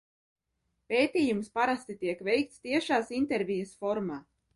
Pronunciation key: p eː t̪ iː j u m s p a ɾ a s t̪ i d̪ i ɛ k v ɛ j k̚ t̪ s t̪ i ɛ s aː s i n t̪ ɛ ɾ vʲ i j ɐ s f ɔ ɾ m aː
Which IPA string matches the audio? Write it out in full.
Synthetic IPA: p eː t̪ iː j u m s p a ɾ a s t̪ i t̪ i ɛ k v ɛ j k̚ t̪ s t̪ i ɛ ʃ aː s i n t̪ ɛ ɾ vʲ i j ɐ s f ɔ ɾ m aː